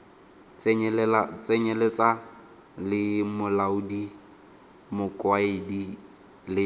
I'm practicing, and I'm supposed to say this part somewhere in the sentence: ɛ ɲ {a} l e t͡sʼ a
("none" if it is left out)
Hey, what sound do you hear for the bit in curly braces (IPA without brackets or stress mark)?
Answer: ɛ